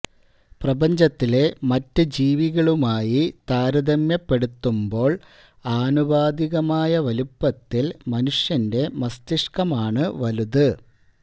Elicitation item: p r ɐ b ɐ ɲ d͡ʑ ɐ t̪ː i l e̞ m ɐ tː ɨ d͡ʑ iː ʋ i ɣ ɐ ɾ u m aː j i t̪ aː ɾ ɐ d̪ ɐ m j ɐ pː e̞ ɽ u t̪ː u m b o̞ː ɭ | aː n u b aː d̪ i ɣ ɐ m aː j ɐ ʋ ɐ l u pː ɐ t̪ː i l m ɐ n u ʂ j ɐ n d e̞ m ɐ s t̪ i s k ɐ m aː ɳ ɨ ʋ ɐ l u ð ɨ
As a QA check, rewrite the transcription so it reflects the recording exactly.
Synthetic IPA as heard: p r ɐ b ɐ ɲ d͡ʑ ɐ t̪ː i l e̞ m ɐ tː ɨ d͡ʑ iː ʋ i ɣ ɐ ɭ u m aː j i t̪ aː ɾ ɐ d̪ ɐ m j ɐ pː e̞ ɽ u t̪ː u m b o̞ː ɭ | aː n u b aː d̪ i ɣ ɐ m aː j ɐ ʋ ɐ l u pː ɐ t̪ː i l m ɐ n u ʂ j ɐ n d e̞ m ɐ s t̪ i ʂ k ɐ m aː ɳ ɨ ʋ ɐ l u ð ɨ